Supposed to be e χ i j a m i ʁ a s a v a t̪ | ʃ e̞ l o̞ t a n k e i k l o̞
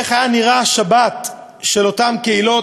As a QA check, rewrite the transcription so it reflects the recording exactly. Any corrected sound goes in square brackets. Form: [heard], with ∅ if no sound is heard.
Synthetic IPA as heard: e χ [a] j a [n] i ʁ a [ʃ] a [b] a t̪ | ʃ e̞ l o̞ t a [m] k e i [∅] l o̞